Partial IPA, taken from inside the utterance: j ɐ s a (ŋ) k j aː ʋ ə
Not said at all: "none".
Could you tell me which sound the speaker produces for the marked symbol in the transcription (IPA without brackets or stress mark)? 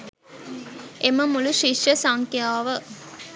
ŋ